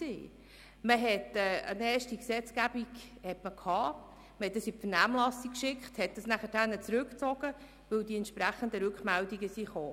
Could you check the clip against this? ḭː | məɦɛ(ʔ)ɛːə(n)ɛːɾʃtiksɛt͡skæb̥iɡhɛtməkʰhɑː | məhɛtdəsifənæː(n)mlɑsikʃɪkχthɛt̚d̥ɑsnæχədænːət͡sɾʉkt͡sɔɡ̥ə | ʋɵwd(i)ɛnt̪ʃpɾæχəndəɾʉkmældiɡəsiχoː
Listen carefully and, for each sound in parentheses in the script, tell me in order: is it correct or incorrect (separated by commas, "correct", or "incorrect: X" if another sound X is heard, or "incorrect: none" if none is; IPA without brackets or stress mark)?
incorrect: t, correct, incorrect: none, correct